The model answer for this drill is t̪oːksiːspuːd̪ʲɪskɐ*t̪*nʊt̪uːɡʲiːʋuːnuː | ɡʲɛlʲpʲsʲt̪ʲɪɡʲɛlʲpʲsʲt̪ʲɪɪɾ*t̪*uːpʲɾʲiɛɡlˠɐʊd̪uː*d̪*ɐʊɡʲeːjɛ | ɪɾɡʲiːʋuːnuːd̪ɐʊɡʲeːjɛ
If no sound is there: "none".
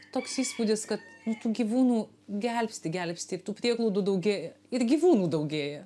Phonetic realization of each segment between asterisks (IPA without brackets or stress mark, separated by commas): t̪, t̪, d̪